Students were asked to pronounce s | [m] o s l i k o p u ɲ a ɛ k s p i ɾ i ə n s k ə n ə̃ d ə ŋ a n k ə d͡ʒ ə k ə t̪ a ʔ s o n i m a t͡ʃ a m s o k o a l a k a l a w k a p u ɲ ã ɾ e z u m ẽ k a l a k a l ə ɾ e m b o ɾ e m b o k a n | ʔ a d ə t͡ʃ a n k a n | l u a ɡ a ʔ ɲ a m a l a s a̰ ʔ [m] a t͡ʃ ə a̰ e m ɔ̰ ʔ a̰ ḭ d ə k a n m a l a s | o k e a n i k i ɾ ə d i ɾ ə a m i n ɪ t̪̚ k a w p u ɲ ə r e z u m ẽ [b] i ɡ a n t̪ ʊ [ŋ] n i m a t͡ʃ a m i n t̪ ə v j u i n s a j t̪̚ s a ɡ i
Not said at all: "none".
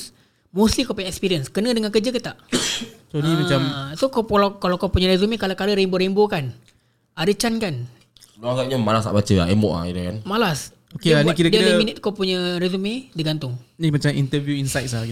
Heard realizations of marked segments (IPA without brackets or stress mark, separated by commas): m, b, d, ŋ